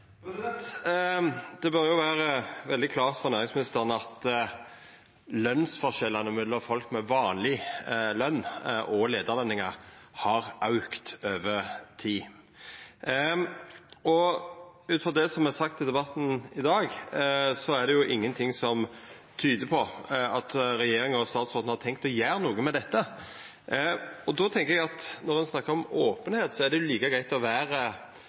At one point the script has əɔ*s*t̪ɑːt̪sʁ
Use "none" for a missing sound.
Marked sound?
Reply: s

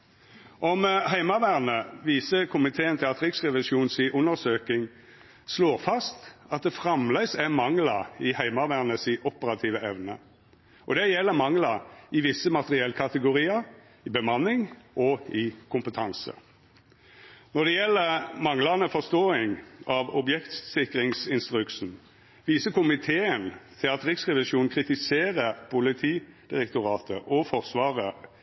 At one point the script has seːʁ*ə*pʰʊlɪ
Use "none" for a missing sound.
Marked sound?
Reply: ə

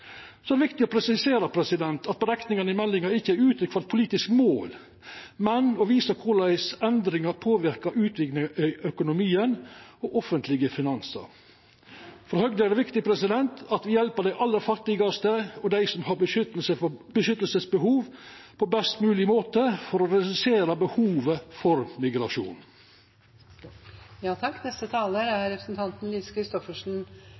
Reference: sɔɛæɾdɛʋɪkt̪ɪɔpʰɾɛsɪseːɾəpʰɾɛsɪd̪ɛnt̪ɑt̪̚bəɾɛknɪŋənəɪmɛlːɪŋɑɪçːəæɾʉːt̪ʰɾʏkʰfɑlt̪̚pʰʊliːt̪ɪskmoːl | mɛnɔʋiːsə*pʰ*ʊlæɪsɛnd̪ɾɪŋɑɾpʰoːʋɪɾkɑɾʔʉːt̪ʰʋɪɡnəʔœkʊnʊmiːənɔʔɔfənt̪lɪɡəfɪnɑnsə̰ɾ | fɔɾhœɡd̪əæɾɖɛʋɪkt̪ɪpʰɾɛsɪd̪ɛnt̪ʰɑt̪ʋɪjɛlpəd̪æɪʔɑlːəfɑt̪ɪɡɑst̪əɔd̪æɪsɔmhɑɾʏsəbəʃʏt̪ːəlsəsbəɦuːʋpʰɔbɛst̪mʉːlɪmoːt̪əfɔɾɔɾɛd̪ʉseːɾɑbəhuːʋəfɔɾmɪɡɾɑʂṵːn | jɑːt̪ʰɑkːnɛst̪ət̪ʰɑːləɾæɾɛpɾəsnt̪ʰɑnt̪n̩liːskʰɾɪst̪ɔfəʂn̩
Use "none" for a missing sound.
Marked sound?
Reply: kʰ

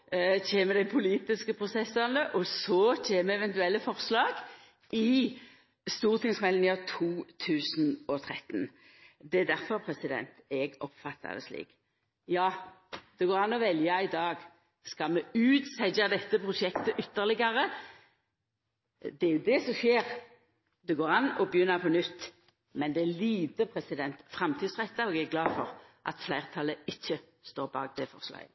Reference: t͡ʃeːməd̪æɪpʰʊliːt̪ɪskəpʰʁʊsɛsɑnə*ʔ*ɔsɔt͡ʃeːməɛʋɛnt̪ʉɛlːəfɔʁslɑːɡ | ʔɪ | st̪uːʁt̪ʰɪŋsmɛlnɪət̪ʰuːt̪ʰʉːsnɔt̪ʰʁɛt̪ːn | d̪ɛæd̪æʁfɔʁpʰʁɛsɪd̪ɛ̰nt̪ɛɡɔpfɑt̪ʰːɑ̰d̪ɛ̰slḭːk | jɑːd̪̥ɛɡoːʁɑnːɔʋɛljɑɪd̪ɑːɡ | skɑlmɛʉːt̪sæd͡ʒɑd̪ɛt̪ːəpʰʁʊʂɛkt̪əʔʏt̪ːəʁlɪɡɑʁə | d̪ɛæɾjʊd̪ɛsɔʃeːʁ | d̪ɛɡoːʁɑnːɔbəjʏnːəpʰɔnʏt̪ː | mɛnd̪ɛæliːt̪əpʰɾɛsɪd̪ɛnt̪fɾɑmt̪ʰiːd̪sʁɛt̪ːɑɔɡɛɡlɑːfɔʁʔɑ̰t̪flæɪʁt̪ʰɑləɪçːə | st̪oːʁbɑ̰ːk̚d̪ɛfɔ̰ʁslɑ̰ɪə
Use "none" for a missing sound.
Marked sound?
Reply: ʔ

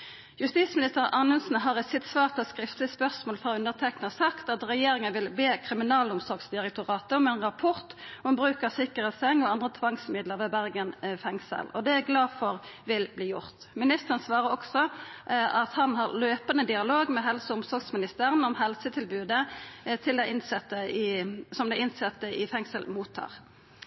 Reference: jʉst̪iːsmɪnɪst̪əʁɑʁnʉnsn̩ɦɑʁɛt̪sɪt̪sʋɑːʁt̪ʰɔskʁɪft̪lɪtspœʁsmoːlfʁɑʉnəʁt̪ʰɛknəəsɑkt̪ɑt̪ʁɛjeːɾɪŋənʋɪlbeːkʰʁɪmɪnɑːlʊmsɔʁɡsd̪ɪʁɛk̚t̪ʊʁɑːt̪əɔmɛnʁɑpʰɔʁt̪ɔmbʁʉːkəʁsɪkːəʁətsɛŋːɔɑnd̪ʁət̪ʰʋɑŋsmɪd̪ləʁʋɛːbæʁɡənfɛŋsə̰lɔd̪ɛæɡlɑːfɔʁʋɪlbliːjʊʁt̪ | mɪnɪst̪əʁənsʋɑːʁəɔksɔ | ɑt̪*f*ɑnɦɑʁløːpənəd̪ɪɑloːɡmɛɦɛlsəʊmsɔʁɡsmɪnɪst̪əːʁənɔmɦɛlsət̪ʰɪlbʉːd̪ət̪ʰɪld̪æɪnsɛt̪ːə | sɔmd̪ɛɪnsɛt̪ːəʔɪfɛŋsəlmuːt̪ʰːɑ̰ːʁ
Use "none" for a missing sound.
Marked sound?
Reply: h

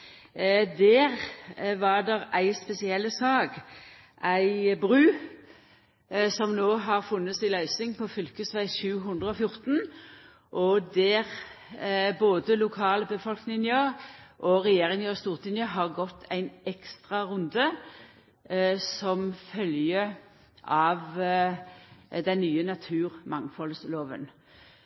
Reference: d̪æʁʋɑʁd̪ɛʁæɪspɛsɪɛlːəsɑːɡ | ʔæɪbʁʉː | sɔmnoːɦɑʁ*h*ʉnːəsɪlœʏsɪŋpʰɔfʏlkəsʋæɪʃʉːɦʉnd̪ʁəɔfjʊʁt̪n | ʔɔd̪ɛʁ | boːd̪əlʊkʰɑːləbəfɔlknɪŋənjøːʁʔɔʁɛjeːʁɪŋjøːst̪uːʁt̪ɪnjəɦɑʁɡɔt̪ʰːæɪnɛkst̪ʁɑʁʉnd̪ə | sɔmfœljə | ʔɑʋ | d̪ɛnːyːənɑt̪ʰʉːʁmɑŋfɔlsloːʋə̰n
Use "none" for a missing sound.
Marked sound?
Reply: f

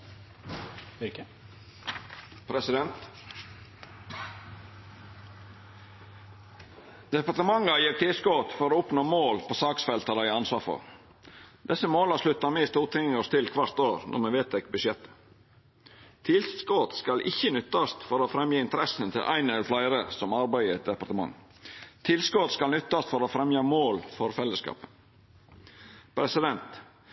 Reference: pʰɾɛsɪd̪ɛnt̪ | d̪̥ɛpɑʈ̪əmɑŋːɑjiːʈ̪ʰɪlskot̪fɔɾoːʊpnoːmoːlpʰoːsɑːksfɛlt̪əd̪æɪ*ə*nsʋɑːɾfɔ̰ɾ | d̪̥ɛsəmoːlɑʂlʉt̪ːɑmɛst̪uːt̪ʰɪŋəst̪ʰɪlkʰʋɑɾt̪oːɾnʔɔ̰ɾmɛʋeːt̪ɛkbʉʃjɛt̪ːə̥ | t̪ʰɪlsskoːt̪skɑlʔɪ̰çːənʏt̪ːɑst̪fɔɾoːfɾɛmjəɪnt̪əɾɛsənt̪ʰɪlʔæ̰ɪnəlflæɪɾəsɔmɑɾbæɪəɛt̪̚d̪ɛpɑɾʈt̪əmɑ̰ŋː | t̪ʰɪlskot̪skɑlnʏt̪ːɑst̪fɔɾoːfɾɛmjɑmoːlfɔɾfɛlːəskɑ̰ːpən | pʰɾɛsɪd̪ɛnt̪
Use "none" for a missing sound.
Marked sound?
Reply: ɑ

